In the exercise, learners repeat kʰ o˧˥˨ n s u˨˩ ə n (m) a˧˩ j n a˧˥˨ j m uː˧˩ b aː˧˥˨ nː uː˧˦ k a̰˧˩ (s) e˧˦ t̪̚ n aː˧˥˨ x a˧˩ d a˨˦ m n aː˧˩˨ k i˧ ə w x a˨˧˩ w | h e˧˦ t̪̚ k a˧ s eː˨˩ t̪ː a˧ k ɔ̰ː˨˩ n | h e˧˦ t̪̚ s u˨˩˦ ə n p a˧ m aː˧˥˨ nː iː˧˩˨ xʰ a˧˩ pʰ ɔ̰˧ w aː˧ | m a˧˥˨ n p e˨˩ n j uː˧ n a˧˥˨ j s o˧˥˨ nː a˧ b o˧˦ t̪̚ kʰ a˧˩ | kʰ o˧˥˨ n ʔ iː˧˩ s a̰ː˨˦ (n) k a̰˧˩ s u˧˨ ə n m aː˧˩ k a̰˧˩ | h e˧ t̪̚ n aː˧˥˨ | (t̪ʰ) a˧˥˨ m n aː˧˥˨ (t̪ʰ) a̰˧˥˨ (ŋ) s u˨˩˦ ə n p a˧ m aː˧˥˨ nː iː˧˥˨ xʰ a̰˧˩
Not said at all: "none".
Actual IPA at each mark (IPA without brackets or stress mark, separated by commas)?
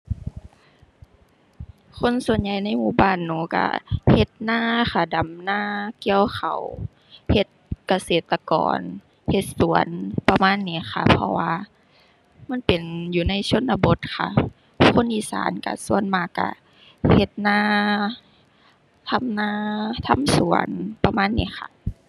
ɲ, h, n, t̪ʰ, t̪ʰ, m